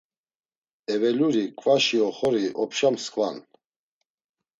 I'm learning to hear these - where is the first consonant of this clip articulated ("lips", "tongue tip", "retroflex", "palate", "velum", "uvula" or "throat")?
lips